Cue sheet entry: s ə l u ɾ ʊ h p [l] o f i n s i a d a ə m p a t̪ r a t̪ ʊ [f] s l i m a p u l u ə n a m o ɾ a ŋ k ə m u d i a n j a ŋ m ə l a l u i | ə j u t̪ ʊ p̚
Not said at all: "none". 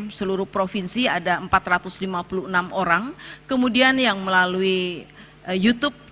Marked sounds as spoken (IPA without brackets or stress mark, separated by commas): ɾ, none